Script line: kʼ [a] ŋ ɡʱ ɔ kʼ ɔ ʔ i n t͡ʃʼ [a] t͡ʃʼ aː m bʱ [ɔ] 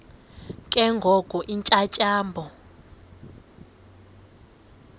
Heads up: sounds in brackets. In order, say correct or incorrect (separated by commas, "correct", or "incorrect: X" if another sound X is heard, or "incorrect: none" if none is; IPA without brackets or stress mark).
incorrect: ɛ, correct, correct